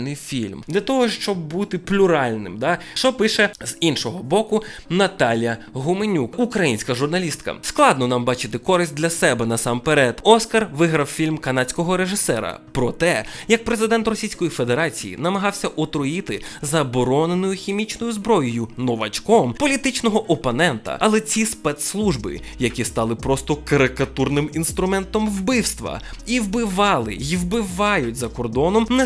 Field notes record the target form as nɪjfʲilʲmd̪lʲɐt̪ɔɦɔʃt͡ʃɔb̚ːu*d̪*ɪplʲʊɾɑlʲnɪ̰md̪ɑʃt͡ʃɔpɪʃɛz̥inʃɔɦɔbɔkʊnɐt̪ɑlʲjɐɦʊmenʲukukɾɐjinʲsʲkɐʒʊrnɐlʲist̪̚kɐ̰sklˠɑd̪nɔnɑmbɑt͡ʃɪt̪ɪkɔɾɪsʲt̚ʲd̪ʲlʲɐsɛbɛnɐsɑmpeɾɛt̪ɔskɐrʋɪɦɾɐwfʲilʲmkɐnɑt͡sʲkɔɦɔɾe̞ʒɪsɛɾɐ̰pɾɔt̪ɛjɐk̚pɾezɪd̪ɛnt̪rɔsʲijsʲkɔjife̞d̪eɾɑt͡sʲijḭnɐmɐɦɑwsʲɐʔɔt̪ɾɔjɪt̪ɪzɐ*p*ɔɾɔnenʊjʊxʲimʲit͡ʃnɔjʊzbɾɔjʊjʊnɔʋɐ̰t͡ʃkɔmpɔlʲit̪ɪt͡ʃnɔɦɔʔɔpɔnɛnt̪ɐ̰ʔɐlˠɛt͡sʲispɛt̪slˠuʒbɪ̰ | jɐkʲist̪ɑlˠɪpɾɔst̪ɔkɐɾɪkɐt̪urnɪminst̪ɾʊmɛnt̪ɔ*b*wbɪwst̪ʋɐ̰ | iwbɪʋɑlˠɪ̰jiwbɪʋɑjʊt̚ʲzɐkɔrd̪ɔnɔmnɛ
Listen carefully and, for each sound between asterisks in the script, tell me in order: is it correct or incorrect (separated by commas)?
incorrect, incorrect, incorrect